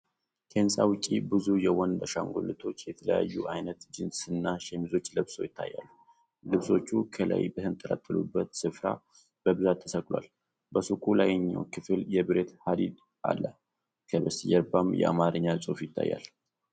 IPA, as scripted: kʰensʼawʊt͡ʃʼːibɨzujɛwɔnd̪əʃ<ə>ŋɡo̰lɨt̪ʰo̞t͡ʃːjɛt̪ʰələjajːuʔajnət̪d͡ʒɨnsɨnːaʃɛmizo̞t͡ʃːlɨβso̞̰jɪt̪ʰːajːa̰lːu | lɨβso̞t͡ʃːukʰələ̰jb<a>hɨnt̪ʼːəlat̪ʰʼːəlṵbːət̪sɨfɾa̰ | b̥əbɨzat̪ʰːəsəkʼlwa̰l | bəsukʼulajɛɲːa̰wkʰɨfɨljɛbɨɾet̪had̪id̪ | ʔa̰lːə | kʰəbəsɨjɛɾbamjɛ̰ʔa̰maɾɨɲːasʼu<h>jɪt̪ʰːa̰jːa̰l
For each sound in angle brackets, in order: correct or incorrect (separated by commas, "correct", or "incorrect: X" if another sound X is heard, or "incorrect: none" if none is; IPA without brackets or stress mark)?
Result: incorrect: a, incorrect: ə, incorrect: f